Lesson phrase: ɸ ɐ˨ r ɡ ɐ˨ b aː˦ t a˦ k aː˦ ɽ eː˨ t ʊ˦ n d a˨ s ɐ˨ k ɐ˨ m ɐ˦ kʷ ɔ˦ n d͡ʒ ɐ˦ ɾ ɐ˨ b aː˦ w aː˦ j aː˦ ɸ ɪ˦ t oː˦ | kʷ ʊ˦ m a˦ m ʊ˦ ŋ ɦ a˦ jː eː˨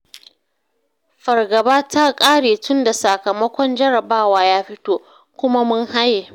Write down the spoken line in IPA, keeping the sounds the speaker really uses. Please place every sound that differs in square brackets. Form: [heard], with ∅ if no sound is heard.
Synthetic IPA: ɸ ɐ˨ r ɡ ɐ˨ b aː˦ t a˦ [kʼ] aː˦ ɽ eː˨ t ʊ˦ n d a˨ s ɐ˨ k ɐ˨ m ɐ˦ kʷ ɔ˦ n d͡ʒ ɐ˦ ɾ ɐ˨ b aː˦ w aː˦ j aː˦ ɸ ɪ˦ t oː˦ | kʷ ʊ˦ m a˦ m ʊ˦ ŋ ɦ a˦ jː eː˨